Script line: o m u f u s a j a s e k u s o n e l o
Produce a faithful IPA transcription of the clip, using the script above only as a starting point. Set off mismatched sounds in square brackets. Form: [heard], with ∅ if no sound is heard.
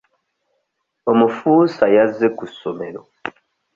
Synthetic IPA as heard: o m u f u s a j a [z] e k u s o [m] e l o